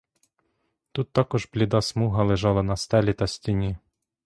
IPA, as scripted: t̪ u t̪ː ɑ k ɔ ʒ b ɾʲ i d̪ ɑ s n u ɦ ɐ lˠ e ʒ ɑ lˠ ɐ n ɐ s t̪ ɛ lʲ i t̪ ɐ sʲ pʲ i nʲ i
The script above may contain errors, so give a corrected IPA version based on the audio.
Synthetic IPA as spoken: t̪ u t̪ː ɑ k ɔ ʒ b lʲ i d̪ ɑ s m u ɦ ɐ lˠ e ʒ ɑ lˠ ɐ n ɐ s t̪ ɛ lʲ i t̪ ɐ sʲ tʲ i nʲ i